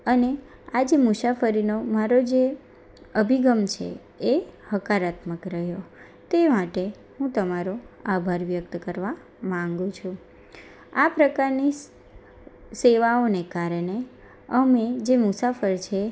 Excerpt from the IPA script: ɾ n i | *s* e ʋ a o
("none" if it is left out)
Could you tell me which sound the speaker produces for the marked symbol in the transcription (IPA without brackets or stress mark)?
s